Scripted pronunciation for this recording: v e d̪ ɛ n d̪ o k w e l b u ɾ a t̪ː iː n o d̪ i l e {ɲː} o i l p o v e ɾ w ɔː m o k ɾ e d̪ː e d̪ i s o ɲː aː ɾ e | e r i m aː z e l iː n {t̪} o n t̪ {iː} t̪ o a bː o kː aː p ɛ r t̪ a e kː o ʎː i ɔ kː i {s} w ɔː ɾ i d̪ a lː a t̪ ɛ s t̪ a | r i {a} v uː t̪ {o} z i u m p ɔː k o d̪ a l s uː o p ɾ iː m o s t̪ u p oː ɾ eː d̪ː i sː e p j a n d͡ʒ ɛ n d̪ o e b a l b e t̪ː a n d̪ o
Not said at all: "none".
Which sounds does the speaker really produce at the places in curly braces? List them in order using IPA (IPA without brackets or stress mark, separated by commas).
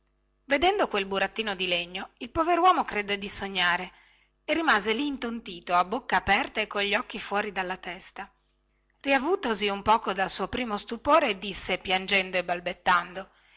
ɲː, t̪, iː, f, a, o